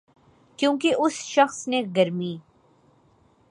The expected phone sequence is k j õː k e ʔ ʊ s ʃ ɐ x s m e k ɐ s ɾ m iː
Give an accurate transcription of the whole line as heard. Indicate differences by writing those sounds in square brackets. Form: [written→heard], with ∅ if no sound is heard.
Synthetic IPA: k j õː k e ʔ ʊ s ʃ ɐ x s [m→n] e [k→ɡ] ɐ [s→∅] ɾ m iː